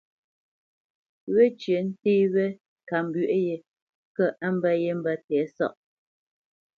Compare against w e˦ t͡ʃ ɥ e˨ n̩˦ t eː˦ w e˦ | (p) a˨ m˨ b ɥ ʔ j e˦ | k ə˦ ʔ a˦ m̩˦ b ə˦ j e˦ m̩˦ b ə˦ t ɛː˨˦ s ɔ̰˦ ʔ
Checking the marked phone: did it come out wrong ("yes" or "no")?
yes